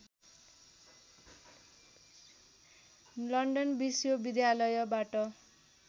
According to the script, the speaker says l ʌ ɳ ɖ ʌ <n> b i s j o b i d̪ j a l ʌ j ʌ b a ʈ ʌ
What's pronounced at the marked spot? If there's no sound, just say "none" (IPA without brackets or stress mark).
n